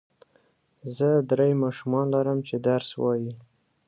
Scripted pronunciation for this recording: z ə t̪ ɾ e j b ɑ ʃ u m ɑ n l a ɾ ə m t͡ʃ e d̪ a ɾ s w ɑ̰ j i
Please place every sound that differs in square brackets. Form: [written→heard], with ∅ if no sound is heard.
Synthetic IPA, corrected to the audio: z ə [t̪→d̪] ɾ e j [b→m] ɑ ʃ u m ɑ n l a ɾ ə m t͡ʃ e d̪ a ɾ s w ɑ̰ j i